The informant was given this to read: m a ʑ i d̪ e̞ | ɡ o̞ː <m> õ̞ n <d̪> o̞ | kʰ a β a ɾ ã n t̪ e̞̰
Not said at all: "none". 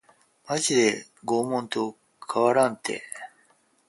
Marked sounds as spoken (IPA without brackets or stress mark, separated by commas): m, t̪